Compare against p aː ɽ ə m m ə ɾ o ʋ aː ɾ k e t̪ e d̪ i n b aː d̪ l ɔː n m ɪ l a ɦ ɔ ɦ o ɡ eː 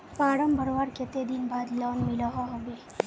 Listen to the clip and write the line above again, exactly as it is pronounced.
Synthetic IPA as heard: p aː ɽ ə m b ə ɾ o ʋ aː ɾ k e t̪ e d̪ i n b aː d̪ l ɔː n m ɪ l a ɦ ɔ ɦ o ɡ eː